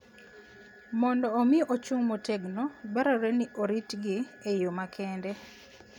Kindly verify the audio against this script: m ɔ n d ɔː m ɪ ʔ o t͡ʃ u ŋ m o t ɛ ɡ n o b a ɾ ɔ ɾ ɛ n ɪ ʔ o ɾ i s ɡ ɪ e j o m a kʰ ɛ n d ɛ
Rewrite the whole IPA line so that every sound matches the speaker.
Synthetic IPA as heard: m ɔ n d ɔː m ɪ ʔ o t͡ʃ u ŋ m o t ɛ ɡ n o b a ɾ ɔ ɾ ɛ n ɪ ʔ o ɾ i t ɡ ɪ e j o m a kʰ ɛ n d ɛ